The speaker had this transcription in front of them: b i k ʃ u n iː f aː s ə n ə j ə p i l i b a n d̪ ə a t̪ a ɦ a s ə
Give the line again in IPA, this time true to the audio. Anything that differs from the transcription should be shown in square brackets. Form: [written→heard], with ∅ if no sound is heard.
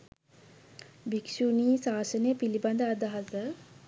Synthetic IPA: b i k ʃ u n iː [f→s] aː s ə n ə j ə p i l i b a n d̪ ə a [t̪→d̪] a ɦ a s ə